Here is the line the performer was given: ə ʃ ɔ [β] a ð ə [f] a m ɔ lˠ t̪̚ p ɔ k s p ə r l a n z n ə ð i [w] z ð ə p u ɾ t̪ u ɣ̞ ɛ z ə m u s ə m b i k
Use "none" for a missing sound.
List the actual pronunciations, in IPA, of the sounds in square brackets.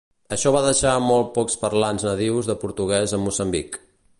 β, ʃ, w

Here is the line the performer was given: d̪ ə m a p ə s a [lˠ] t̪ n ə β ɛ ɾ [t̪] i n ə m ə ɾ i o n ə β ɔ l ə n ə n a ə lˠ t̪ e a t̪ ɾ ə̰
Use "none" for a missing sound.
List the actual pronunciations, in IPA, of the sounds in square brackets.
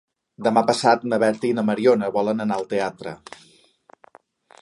none, t̪

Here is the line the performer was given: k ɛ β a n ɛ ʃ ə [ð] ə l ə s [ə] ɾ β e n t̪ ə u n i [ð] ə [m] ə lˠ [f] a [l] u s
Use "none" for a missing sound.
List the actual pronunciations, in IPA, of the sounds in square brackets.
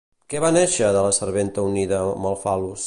ð, ə, ð, m, f, l

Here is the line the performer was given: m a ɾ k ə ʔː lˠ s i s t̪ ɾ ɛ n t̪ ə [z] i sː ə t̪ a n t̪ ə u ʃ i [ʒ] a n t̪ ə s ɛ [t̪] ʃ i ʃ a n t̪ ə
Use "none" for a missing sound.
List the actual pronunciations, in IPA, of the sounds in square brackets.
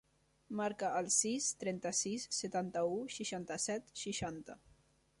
s, ʃ, t̪

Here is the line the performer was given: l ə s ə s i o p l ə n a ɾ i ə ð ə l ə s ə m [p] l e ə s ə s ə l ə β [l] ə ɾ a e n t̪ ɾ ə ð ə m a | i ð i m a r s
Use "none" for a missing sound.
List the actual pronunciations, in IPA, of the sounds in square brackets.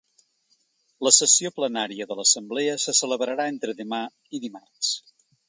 b, ɾ

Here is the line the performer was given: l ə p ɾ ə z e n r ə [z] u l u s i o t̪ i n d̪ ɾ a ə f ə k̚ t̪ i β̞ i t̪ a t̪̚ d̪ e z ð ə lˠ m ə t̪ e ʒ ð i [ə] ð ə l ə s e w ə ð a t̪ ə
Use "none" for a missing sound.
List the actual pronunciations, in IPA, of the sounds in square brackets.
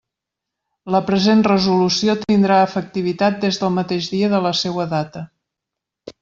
z, ə

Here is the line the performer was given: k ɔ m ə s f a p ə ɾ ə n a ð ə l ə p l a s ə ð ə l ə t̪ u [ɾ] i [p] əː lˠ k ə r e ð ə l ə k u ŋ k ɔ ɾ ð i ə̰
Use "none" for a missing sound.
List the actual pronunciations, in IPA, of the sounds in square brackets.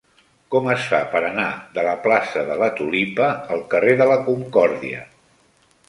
l, p

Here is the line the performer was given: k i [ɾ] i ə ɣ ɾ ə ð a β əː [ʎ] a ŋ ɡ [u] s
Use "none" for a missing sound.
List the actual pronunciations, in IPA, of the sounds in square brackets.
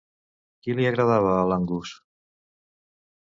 l, l, u

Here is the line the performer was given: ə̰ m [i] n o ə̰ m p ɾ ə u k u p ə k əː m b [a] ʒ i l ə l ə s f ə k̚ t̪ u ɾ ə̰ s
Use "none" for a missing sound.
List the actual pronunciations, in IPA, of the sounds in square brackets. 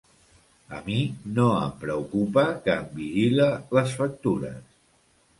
i, i

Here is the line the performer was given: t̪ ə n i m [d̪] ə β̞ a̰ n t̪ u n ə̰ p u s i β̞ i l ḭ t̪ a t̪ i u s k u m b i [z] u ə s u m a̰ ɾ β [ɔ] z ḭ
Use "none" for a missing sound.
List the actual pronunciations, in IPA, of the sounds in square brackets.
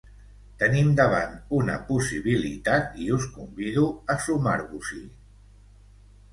d̪, ð, u

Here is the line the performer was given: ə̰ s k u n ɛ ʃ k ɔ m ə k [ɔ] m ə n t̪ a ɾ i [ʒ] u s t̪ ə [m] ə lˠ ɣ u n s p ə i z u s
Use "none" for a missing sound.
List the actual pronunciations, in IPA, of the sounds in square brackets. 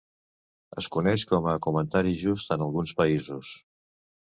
u, ʒ, n

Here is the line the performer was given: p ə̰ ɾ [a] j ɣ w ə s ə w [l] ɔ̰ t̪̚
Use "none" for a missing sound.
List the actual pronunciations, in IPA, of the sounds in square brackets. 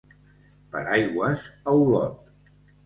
a, l

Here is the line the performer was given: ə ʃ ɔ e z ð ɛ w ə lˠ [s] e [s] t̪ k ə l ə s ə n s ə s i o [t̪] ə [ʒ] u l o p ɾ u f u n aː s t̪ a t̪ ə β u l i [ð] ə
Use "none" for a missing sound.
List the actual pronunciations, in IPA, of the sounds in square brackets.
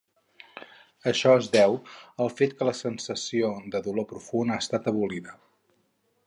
f, none, d̪, ð, ð

